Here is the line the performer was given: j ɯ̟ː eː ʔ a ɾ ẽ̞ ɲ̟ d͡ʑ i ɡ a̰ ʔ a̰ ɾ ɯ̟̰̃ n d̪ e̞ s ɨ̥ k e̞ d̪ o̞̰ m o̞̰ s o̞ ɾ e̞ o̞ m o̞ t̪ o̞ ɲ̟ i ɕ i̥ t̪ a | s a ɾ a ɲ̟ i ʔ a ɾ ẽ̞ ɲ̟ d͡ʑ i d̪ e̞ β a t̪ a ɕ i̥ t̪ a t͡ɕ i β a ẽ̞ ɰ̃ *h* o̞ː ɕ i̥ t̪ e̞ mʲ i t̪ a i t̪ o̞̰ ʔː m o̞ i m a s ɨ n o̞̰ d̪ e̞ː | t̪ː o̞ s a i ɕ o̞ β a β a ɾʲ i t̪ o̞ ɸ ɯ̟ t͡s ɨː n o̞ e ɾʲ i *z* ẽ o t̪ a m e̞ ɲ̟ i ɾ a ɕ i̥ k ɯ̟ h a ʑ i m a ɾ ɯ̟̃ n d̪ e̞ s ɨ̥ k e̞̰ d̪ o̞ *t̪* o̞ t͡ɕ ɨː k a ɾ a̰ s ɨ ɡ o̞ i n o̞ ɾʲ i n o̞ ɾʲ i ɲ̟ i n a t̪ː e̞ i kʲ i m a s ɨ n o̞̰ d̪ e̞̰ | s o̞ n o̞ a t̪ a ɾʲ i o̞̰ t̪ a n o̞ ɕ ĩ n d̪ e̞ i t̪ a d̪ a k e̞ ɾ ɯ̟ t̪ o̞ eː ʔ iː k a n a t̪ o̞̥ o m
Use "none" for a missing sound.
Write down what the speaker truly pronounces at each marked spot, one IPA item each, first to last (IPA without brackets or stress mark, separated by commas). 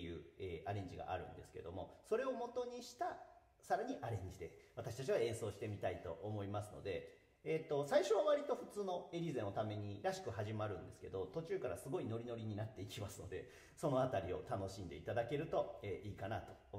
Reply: s, z, t̪